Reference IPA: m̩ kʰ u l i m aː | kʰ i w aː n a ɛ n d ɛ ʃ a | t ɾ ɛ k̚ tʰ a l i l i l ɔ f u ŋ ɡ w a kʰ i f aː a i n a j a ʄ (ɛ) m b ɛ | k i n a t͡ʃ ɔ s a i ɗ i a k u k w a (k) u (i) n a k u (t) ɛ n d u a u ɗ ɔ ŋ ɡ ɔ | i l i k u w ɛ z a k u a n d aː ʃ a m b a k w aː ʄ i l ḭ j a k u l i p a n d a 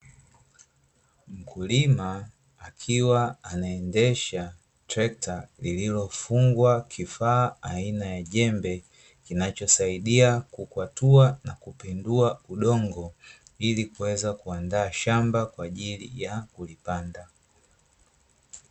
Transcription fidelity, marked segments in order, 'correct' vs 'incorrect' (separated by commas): correct, incorrect, incorrect, incorrect